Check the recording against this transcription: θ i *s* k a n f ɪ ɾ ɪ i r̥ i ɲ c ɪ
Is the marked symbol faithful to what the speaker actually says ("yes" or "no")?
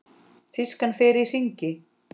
yes